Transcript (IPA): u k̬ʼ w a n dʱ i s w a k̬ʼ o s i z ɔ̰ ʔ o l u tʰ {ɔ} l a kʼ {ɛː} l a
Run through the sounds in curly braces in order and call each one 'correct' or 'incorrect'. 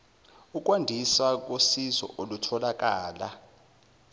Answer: correct, incorrect

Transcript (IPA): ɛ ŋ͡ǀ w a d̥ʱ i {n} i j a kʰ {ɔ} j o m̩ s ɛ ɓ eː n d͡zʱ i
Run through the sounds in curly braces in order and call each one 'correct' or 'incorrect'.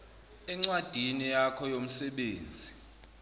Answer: correct, correct

